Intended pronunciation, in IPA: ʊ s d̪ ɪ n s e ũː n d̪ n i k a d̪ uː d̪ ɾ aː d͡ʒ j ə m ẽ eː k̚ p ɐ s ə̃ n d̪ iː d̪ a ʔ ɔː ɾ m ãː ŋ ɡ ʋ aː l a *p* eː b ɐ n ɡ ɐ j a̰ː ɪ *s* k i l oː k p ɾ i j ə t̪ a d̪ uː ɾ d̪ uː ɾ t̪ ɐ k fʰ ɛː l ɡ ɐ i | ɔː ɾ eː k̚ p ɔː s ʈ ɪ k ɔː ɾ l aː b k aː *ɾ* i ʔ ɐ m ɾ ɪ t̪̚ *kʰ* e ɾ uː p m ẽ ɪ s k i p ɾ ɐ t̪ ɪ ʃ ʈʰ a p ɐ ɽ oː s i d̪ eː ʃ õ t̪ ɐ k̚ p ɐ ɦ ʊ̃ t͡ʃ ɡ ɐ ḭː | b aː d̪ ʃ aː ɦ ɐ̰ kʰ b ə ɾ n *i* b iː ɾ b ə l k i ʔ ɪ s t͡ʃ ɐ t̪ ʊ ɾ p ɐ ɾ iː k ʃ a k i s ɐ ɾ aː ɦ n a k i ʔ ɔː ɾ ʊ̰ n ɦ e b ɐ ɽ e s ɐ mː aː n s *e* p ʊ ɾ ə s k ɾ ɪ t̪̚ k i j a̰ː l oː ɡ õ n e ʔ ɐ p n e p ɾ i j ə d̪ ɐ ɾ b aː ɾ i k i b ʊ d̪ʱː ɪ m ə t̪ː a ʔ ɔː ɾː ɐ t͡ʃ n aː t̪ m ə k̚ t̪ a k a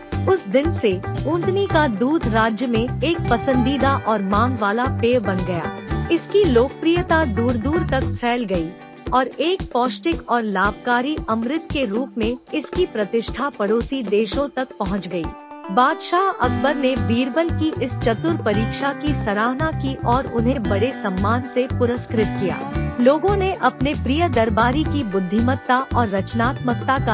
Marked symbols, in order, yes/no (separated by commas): yes, yes, yes, no, no, yes